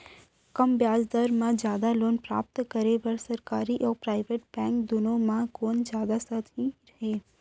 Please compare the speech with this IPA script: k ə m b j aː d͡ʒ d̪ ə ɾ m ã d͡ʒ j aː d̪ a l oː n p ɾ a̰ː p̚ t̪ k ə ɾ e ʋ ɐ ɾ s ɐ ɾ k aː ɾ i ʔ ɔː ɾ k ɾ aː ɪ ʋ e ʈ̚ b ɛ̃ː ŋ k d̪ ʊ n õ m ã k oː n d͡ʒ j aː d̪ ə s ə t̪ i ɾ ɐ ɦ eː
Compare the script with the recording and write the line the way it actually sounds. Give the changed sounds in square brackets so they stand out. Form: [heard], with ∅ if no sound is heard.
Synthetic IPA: k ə m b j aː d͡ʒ d̪ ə ɾ m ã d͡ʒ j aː d̪ a l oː n p ɾ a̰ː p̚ t̪ k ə ɾ e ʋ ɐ ɾ s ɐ ɾ k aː ɾ i ʔ ɔː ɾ [p] ɾ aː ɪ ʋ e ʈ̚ b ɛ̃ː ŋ k d̪ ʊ n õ m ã k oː n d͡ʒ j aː d̪ [a] s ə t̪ i ɾ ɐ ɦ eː

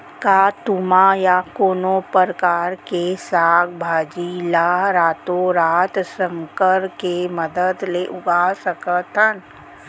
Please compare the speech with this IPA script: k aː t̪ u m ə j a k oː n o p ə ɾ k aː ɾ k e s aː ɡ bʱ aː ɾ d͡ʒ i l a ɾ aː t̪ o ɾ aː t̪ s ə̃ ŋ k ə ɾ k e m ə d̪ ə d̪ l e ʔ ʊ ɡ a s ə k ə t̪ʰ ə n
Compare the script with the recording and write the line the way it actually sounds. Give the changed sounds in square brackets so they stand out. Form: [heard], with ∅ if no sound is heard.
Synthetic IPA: k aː t̪ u m [a] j a k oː n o p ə ɾ k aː ɾ k e s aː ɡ bʱ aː [∅] d͡ʒ i l a ɾ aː t̪ o ɾ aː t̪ s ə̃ ŋ k ə ɾ k e m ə d̪ ə d̪ l e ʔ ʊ ɡ a s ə k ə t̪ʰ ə n

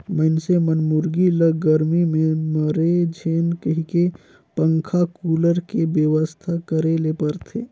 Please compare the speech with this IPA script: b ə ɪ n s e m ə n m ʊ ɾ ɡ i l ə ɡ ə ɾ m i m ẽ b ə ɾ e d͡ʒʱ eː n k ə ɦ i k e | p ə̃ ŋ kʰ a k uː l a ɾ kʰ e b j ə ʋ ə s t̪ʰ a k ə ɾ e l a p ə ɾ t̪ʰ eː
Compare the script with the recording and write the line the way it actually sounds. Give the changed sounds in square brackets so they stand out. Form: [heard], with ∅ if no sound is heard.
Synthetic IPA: [m] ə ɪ n s e m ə n m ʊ ɾ ɡ i l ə ɡ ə ɾ m i m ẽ [m] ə ɾ e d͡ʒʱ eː n k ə ɦ i k e | p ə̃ ŋ kʰ a k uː l [ə] ɾ [k] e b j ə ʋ ə s t̪ʰ a k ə ɾ e l [e] p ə ɾ t̪ʰ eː

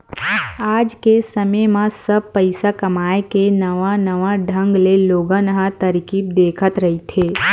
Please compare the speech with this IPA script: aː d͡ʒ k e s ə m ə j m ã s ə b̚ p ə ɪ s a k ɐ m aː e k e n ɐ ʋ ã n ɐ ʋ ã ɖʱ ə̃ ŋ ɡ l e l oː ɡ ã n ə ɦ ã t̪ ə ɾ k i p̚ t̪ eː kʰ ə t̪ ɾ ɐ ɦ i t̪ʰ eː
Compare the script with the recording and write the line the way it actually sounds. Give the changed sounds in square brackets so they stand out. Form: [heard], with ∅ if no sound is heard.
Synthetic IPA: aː d͡ʒ k e s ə m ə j m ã s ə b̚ p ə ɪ s a k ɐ m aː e k e n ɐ ʋ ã n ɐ ʋ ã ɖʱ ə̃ ŋ ɡ l e l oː ɡ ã n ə ɦ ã t̪ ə ɾ k i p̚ [d̪] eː kʰ ə t̪ ɾ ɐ ɦ i t̪ʰ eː

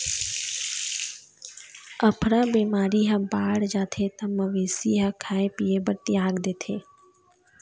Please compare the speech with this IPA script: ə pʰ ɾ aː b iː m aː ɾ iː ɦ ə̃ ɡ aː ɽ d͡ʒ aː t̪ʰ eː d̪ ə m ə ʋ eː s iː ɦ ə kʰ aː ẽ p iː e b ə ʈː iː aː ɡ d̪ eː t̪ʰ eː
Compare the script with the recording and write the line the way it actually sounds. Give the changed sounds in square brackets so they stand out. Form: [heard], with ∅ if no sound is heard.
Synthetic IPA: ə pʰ ɾ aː b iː m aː ɾ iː ɦ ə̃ [b] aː ɽ d͡ʒ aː t̪ʰ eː [t̪] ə m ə ʋ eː s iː ɦ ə kʰ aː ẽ p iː e b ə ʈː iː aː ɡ d̪ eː t̪ʰ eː

